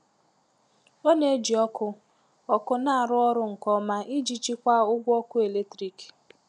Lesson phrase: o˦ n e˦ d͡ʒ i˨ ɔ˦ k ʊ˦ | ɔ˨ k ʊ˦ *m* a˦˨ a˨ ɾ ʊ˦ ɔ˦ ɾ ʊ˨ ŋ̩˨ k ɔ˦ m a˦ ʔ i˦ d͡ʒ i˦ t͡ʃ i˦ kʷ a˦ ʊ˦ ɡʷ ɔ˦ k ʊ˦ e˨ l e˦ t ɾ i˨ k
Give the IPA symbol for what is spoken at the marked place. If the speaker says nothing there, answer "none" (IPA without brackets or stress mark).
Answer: n